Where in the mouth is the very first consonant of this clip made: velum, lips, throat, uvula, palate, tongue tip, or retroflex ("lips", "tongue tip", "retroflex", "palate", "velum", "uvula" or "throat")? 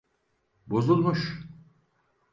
lips